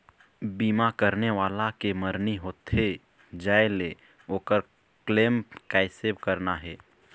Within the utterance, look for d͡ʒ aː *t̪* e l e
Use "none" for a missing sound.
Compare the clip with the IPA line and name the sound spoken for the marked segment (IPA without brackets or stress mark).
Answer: none